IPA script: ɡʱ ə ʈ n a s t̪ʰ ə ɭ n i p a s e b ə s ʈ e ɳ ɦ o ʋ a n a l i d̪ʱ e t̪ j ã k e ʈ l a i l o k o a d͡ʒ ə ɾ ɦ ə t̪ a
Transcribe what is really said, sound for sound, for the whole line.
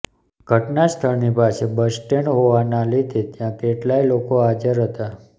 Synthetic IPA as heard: ɡʱ ə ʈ n a s t̪ʰ ə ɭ n i p a s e b ə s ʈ e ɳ ɦ o ʋ a n a l i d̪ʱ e t̪ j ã k e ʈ l a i l o k o a d͡ʒ ə ɾ ɦ ə t̪ a